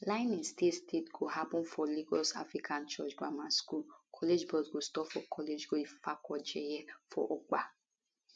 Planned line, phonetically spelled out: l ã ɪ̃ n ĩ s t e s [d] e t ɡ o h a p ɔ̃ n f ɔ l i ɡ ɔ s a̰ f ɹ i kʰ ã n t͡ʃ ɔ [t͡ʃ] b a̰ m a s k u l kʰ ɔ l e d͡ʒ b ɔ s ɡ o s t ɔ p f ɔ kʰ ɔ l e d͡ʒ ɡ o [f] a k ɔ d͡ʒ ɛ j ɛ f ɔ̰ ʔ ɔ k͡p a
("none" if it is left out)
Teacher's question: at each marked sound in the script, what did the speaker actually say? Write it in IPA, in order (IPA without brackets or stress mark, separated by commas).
t, t͡ʃ, f